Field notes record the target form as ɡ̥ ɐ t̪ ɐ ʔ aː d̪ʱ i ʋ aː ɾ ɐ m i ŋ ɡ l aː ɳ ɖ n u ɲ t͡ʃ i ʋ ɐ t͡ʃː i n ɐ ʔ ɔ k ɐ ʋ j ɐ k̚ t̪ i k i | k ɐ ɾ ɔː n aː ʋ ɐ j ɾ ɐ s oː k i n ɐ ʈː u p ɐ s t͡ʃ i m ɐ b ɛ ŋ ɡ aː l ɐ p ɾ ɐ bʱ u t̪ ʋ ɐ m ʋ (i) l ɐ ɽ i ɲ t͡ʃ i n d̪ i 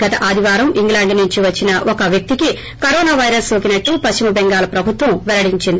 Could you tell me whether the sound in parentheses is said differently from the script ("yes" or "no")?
yes